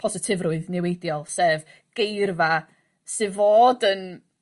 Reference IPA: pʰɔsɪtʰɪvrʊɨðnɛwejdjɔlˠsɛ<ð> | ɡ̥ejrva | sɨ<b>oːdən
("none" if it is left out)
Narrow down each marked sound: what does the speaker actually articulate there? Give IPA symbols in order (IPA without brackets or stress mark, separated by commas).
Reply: v, v